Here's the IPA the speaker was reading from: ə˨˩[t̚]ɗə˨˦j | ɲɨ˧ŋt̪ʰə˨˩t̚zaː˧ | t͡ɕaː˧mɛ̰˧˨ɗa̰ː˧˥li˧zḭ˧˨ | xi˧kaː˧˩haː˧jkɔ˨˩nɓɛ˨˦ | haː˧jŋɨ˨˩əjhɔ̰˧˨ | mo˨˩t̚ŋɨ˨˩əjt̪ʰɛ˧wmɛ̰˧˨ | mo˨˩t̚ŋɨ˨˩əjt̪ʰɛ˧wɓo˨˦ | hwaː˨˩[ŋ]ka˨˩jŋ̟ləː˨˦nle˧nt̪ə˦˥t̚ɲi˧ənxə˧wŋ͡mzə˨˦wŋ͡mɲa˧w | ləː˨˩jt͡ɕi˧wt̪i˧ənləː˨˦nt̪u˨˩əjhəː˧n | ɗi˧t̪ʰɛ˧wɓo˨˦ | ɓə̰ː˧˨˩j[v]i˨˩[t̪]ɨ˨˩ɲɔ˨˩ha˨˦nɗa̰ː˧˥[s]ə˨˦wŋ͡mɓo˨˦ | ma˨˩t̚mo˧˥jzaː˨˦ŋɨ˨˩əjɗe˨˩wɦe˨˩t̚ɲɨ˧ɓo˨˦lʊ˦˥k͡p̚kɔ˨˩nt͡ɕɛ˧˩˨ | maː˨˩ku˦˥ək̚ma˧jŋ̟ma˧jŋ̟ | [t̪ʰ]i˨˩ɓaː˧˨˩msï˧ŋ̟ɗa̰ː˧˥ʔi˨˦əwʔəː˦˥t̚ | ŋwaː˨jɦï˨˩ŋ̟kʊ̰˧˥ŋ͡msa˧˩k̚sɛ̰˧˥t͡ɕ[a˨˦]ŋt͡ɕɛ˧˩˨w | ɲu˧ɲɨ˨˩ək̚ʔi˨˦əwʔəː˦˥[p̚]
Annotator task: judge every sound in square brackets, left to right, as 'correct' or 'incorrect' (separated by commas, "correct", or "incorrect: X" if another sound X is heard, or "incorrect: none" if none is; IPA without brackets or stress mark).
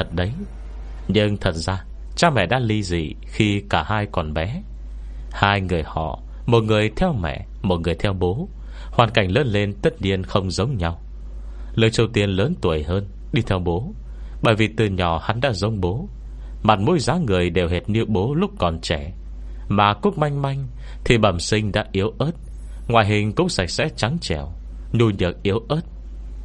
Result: correct, incorrect: n, correct, correct, incorrect: z, correct, correct, incorrect: t̚